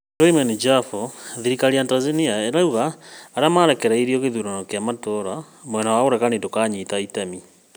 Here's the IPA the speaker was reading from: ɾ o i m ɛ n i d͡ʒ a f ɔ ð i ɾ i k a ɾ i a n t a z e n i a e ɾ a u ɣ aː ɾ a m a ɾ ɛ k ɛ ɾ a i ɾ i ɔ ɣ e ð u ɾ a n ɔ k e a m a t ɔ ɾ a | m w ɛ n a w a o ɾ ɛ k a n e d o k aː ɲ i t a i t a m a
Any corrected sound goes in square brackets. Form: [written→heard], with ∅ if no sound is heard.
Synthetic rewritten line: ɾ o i m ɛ n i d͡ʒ a f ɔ ð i ɾ i k a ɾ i a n t a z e n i a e ɾ a u ɣ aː ɾ a m a ɾ ɛ k ɛ ɾ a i ɾ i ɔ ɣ e ð u ɾ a n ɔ k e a m a t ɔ ɾ a | m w ɛ n a w a o ɾ ɛ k a n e d o k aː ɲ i t a i t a m [a→i]